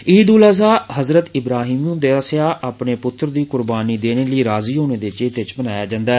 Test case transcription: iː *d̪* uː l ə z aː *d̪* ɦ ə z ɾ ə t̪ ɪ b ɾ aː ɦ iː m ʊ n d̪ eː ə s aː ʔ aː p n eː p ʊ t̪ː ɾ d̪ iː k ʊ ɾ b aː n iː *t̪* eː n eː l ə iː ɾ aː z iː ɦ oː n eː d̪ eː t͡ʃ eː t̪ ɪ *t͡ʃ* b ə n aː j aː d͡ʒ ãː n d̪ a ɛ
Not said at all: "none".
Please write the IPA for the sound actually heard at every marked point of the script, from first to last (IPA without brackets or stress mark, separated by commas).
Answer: d̪, none, d̪, t͡ʃ